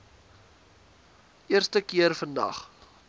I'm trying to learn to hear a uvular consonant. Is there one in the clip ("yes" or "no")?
yes